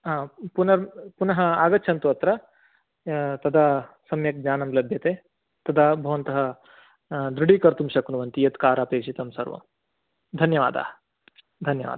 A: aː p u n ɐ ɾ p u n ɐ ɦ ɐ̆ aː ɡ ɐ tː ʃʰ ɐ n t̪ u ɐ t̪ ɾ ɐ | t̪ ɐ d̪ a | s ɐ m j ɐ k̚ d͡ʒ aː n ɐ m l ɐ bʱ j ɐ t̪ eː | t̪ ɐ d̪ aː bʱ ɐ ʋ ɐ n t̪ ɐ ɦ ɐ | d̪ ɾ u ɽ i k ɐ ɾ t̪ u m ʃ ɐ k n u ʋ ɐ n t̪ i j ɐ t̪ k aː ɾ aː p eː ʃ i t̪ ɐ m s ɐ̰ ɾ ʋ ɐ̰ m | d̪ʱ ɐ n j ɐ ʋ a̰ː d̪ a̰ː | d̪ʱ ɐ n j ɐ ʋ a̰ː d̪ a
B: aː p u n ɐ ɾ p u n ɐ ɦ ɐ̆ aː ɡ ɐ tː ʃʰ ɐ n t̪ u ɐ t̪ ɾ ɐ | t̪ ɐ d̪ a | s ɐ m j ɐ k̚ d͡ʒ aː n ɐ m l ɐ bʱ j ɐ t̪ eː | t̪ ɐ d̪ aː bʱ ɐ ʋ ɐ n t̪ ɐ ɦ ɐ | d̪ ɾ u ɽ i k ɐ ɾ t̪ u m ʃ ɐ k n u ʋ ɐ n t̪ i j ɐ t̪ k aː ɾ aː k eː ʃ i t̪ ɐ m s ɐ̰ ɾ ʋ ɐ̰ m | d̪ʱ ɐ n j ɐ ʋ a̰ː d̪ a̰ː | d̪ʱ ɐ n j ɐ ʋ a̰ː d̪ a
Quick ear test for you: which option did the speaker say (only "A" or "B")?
A